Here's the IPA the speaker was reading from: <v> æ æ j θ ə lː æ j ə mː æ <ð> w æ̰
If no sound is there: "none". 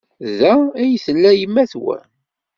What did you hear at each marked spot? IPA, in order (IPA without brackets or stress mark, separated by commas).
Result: ð, θ